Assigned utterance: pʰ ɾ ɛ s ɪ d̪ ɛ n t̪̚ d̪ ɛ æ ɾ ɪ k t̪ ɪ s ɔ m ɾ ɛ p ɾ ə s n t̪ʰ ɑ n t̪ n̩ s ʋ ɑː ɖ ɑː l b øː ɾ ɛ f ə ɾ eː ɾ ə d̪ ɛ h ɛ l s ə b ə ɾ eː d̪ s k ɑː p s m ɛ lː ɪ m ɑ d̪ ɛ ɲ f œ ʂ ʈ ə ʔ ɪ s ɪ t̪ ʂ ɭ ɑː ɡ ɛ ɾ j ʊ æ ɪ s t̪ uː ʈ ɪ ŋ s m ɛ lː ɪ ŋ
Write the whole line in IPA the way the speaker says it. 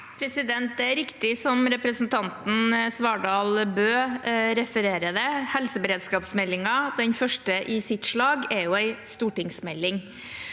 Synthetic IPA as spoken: pʰ ɾ ɛ s ɪ d̪ ɛ n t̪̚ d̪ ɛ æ ɾ ɪ k t̪ ɪ s ɔ m ɾ ɛ p ɾ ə s n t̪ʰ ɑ n t̪ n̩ s ʋ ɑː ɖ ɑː l b øː ɾ ɛ f ə ɾ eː ɾ ə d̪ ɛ h ɛ l s ə b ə ɾ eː d̪ s k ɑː p s m ɛ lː ɪ ŋ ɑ d̪ ɛ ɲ f œ ʂ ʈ ə ʔ ɪ s ɪ t̪ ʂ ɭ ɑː ɡ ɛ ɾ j ʊ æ ɪ s t̪ uː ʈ ɪ ŋ s m ɛ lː ɪ ŋ